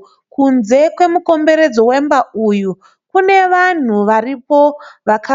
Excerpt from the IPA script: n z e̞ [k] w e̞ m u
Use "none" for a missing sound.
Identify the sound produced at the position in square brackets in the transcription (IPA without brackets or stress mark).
k